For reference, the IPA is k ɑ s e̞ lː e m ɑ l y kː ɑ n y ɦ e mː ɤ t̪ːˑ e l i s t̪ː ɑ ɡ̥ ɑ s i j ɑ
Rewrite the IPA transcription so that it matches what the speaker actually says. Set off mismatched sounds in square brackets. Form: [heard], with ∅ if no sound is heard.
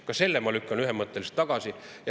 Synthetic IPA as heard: k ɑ s e̞ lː e m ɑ l y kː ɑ n y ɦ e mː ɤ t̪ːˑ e l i s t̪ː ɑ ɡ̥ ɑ s i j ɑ